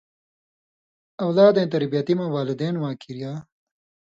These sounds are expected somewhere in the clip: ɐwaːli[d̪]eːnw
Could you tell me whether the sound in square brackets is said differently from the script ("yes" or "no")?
no